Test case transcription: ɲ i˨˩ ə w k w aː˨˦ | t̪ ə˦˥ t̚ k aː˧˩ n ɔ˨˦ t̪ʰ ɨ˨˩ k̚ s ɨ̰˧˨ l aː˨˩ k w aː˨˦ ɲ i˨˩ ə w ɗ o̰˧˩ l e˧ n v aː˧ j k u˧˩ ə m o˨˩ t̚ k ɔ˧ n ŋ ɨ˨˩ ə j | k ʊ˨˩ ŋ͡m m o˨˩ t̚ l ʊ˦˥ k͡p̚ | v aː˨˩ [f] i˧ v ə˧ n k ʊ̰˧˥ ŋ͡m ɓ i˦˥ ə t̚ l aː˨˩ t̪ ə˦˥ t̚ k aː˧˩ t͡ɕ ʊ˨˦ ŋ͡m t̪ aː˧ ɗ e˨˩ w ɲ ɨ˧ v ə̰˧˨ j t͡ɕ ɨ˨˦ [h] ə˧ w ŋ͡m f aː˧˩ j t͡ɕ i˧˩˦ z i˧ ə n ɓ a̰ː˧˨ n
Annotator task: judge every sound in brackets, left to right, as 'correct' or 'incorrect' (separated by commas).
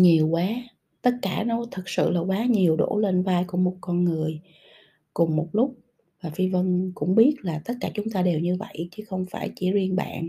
correct, incorrect